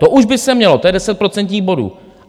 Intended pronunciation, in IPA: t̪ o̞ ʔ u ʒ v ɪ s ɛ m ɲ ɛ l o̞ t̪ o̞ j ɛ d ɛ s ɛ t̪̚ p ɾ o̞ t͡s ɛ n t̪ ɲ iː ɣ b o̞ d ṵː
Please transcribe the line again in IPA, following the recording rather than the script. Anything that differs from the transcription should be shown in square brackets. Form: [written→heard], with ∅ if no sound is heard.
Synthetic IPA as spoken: t̪ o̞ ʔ u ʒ [v→b] ɪ s ɛ m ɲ ɛ l o̞ t̪ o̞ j ɛ d ɛ s ɛ t̪̚ p ɾ o̞ t͡s ɛ n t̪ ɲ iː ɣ b o̞ d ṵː